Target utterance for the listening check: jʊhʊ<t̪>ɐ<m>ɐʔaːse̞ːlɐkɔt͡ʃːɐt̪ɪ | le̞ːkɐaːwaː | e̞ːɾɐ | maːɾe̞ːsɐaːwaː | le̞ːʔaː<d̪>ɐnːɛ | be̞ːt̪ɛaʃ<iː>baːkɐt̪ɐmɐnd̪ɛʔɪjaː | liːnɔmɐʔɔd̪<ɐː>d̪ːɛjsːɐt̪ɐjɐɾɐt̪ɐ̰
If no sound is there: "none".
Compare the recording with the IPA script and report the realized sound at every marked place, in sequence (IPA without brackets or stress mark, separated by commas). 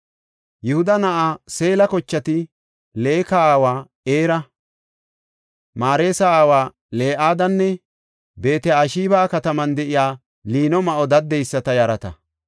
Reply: d̪, n, d̪, iː, ɐ